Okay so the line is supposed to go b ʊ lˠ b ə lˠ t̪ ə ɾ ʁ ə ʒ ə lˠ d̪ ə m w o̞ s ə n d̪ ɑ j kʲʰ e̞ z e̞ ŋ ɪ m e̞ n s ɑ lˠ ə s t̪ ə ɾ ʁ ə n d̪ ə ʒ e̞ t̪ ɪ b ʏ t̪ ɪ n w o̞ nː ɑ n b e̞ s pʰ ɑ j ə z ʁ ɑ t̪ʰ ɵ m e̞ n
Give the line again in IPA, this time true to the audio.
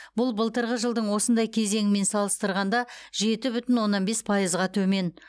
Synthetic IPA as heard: b ʊ lˠ b ə lˠ t̪ ə ɾ ʁ ə ʒ ə lˠ d̪ ə ɴ w o̞ s ə n d̪ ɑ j kʲʰ e̞ z e̞ ŋ ɪ m e̞ n s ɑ lˠ ə s t̪ ə ɾ ʁ ɑ n d̪ ɑ ʒ e̞ t̪ ɪ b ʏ t̪ ɪ n w o̞ nː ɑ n b e̞ s pʰ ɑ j ə z ʁ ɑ t̪ʰ ɵ m e̞ n